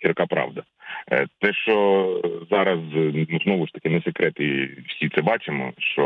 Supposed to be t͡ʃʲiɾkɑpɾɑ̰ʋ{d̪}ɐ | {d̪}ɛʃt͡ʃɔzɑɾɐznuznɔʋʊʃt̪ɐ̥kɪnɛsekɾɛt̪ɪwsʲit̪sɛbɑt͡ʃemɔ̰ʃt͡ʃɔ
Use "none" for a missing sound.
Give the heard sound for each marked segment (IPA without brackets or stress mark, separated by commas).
d̪, t̪